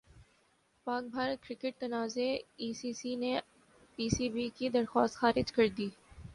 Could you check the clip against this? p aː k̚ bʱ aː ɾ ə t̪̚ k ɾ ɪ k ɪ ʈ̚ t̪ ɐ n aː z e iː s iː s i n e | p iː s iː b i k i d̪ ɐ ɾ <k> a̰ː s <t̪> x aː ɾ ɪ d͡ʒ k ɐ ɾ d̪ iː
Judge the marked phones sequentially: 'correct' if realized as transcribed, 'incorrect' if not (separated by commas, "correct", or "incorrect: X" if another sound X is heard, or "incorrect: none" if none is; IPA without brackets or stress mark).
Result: incorrect: x, correct